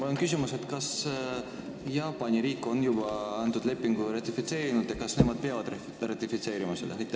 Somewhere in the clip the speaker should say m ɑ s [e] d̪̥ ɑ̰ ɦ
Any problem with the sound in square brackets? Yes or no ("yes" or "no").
no